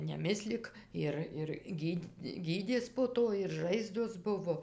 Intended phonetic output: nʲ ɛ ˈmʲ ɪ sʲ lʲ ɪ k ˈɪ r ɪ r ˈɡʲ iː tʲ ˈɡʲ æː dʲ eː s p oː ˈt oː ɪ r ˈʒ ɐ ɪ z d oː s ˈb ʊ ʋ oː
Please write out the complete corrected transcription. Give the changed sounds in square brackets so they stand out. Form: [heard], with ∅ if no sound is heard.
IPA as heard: nʲ ɛ ˈmʲ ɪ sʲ lʲ ɪ k ˈɪ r ɪ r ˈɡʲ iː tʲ ˈɡʲ [iː] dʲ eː s p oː ˈt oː ɪ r ˈʒ ɐ ɪ z d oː s ˈb ʊ ʋ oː